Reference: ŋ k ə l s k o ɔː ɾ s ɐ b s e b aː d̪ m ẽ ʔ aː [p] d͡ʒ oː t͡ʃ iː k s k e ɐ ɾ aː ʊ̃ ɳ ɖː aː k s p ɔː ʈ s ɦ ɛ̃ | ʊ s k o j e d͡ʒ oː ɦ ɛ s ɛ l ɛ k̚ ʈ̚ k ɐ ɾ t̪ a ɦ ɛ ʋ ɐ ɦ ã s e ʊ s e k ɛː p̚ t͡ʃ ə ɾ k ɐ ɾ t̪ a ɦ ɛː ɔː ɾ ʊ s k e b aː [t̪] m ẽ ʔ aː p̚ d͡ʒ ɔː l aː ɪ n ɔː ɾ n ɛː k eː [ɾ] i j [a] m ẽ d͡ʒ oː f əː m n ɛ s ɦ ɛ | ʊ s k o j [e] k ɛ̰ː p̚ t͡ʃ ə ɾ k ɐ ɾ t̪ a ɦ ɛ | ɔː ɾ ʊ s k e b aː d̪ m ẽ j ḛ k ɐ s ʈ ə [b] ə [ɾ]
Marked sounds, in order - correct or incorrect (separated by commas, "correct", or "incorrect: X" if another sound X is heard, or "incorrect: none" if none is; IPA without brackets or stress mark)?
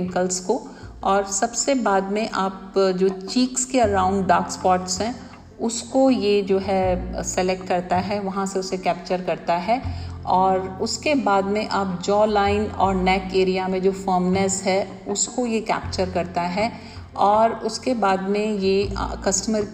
correct, incorrect: d̪, correct, correct, correct, incorrect: m, correct